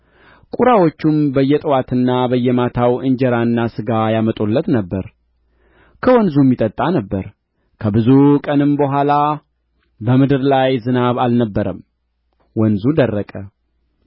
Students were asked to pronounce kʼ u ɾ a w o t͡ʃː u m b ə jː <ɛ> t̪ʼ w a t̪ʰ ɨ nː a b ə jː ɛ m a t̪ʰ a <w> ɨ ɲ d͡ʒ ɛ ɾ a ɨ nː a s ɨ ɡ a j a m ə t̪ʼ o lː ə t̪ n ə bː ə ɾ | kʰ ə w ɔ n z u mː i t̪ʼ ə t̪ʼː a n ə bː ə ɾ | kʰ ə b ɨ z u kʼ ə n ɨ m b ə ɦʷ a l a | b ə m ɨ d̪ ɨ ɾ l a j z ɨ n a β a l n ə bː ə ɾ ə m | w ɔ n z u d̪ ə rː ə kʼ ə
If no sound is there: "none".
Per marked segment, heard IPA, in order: ɛ, w

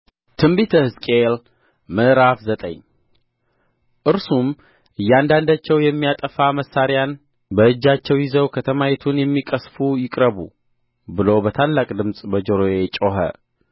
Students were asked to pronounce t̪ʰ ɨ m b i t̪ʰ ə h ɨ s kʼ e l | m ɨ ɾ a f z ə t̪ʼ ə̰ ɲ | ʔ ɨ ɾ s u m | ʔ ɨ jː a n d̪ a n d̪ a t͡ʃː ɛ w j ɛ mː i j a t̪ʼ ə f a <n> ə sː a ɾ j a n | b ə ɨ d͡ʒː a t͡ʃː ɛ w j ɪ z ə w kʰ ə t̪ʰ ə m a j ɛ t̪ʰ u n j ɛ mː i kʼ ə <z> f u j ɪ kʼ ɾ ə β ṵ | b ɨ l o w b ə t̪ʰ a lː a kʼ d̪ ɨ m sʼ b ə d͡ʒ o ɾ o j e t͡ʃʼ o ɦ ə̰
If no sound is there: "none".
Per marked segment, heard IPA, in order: m, s

